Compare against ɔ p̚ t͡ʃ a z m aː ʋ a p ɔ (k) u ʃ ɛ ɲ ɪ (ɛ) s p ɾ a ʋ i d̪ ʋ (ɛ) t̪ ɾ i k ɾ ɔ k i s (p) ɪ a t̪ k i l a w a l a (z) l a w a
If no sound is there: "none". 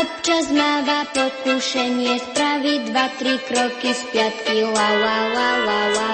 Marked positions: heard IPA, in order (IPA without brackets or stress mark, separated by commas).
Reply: k, ɛ, a, p, none